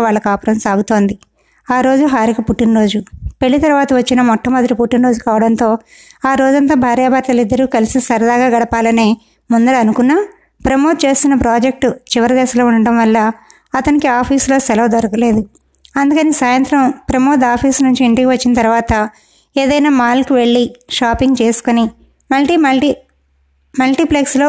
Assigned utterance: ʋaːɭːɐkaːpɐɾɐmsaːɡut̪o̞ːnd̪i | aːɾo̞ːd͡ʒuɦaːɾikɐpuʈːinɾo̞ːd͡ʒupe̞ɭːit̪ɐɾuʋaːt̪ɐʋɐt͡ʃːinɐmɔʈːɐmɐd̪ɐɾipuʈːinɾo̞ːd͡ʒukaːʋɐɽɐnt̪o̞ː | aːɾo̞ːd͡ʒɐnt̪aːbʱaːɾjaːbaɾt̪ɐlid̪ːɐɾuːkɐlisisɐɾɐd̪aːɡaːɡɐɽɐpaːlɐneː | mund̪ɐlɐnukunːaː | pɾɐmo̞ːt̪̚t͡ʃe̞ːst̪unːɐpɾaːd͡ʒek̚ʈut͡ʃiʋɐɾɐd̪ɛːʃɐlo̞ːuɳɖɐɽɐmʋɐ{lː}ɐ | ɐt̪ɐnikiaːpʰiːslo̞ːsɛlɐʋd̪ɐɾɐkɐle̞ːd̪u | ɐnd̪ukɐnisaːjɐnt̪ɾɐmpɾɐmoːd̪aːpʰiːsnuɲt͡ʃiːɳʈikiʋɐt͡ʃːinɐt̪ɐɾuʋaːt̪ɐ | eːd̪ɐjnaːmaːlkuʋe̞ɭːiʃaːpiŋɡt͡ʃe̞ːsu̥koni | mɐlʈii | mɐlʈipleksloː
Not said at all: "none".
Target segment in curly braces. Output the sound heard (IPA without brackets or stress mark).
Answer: lː